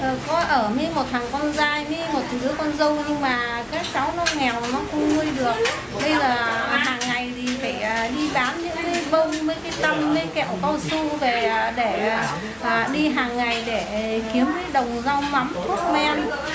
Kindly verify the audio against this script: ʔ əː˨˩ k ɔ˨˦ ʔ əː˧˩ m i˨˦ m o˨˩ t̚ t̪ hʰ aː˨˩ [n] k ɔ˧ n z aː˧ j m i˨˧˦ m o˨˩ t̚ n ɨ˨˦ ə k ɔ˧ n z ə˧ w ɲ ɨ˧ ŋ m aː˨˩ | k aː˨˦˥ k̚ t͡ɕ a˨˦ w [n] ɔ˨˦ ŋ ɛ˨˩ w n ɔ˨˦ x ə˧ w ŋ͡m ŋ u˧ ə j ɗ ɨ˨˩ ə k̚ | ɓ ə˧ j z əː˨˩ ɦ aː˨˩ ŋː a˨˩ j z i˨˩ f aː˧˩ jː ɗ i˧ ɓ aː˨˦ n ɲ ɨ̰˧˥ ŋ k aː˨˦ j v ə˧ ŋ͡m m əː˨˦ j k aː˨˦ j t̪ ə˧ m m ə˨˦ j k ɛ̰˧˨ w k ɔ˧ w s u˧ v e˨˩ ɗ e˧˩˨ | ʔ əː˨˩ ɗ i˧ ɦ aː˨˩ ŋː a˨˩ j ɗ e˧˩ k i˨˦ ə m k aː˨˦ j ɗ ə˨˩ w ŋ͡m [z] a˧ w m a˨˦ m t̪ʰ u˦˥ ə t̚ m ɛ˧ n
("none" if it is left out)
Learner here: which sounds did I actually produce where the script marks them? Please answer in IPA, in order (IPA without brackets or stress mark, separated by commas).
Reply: ŋ, n, z